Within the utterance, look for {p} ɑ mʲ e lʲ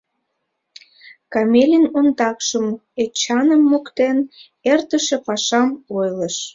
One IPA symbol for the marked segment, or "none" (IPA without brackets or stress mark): k